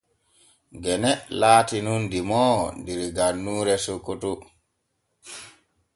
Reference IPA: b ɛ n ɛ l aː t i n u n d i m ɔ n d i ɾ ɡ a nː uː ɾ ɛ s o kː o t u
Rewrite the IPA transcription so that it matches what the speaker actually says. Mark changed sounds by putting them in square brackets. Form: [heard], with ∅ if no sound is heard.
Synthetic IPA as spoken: [ɡ] ɛ n ɛ l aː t i n u n d i m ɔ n d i ɾ ɡ a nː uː ɾ ɛ s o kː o t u

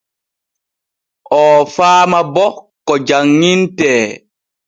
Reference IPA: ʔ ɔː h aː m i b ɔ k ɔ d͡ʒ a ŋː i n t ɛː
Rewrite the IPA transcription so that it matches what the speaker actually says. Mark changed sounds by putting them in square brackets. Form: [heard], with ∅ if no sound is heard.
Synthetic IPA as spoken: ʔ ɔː [f] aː m [a] b ɔ k ɔ d͡ʒ a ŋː i n t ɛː

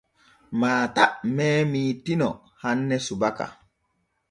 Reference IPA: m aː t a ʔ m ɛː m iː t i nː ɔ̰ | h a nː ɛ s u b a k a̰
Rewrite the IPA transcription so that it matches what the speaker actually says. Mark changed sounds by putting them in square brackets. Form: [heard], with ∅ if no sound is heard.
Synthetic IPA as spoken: m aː t a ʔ m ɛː m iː t i [n] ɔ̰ | h a nː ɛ s u b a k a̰

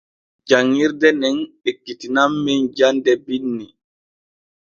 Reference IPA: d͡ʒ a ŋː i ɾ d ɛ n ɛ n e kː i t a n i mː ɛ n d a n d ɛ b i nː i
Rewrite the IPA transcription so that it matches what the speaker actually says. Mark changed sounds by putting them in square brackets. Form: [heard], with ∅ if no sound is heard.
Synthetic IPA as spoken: d͡ʒ a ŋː i ɾ d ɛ n ɛ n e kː i t [i] n [a] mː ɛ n [d͡ʒ] a n d ɛ b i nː i

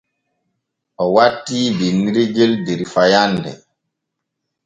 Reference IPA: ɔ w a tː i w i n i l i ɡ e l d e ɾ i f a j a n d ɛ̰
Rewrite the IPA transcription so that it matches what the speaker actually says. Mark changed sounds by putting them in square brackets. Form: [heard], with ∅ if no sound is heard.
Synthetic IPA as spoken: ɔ w a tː i [b] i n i [ɾ] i ɡ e l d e ɾ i f a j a n d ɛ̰

